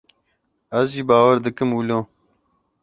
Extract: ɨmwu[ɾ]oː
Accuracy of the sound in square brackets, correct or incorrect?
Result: incorrect